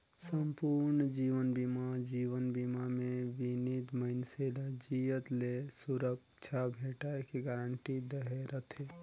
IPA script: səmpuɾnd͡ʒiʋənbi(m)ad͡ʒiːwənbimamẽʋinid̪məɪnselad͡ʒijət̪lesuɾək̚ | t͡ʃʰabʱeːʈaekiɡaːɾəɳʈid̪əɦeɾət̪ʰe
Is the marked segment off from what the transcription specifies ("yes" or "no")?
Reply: no